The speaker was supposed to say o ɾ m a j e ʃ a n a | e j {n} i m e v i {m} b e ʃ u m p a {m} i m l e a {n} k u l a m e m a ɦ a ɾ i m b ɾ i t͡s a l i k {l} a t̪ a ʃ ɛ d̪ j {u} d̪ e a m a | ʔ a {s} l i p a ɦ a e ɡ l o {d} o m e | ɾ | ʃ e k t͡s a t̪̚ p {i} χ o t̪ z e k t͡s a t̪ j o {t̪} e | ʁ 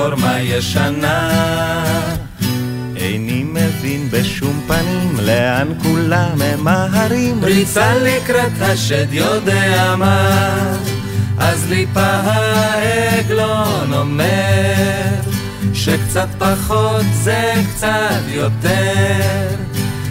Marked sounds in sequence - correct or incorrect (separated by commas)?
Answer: correct, incorrect, incorrect, correct, incorrect, incorrect, incorrect, incorrect, incorrect, correct